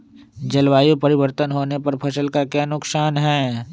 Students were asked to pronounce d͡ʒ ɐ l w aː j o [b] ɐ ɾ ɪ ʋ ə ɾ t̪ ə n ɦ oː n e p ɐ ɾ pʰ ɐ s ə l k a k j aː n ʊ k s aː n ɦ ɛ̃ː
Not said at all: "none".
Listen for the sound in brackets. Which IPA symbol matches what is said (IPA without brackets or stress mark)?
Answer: p